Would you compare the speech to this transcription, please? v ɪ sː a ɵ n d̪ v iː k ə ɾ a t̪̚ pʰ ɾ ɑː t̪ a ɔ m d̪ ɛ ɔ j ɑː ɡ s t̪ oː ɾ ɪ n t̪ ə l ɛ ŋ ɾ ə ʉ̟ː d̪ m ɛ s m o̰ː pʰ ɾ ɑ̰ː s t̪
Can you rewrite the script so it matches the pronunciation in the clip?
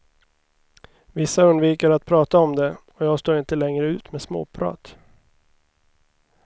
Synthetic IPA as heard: v ɪ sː a ɵ n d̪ v iː k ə ɾ a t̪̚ pʰ ɾ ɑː t̪ a ɔ m d̪ ɛ ɔ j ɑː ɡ s t̪ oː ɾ ɪ n t̪ ə l ɛ ŋ ɾ ə ʉ̟ː t̪ m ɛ s m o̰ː pʰ ɾ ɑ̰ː t̪